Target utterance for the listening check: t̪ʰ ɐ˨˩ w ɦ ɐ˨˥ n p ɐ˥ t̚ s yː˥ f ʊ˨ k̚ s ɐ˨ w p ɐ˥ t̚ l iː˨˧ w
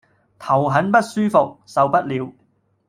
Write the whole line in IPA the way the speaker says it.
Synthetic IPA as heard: t̪ʰ ɐ˨˩ w ɦ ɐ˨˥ n p ɐ˥ t̚ s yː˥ f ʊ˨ k̚ s ɐ˨ w p ɐ˥ t̚ l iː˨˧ w